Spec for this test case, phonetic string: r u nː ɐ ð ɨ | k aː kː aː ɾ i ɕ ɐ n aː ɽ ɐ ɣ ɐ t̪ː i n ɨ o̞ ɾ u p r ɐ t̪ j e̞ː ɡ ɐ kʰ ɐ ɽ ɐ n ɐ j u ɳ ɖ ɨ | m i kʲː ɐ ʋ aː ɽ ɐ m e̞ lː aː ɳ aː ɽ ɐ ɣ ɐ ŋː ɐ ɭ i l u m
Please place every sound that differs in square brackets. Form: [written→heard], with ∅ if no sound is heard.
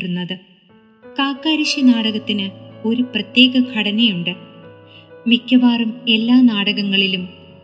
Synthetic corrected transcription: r u nː ɐ ð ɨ | k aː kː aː ɾ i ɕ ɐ n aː ɽ ɐ ɣ ɐ t̪ː i n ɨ o̞ ɾ u p r ɐ t̪ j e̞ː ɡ ɐ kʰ ɐ ɽ ɐ n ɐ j u ɳ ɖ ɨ | m i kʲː ɐ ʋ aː [ɽ→r] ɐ m e̞ lː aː [ɳ→n] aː ɽ ɐ ɣ ɐ ŋː ɐ ɭ i l u m